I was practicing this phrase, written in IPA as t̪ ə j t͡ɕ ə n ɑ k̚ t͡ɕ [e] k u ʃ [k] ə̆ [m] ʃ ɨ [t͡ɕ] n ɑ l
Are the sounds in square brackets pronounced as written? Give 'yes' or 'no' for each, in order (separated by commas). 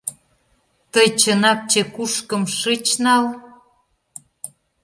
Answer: yes, yes, yes, yes